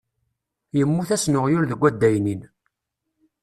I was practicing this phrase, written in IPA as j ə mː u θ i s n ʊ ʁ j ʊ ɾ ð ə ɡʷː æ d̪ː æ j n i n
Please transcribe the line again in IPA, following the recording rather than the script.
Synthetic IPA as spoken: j ə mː u θ æ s n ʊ ʁ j ʊ ɾ ð ə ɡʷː æ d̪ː æ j n i n